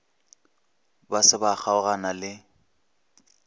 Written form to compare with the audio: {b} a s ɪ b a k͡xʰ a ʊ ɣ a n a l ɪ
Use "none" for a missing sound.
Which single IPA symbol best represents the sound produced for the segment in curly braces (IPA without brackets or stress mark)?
b